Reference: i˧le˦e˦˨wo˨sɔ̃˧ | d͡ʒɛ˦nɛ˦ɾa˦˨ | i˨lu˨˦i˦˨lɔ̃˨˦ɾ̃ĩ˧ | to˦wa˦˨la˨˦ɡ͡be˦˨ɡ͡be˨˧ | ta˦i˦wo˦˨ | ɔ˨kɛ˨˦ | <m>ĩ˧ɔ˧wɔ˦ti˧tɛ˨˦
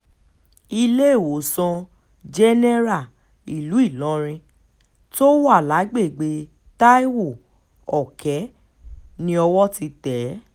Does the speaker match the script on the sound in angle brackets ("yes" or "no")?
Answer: no